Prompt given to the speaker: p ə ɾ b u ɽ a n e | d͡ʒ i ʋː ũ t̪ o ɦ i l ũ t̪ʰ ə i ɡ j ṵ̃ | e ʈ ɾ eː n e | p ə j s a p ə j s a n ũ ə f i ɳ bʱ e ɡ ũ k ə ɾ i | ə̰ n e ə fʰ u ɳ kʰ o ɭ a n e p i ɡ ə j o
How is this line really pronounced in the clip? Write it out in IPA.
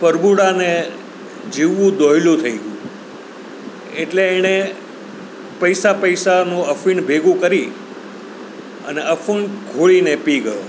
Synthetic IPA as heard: p ə ɾ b u ɽ a n e | d͡ʒ i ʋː ũ d̪ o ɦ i l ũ t̪ʰ ə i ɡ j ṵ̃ | e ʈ l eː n e | p ə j s a p ə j s a n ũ ə f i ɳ bʱ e ɡ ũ k ə ɾ i | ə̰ n e ə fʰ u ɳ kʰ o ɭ i n e p i ɡ ə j o